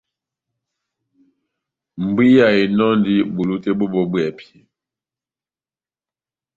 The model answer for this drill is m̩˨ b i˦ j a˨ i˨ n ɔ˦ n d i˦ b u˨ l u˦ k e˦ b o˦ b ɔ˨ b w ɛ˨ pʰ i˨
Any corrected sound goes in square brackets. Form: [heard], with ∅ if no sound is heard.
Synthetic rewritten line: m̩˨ b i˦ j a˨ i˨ n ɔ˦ n d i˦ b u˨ l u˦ [t] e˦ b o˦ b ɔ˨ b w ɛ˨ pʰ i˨